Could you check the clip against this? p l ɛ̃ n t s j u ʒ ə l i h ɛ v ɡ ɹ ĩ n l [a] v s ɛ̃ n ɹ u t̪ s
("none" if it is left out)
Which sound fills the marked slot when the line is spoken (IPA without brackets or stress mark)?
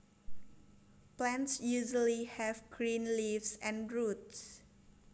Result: i